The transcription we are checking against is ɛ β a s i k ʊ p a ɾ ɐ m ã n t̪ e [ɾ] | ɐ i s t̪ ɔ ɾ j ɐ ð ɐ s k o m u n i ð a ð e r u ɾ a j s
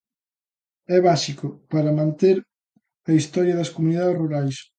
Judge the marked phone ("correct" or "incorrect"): correct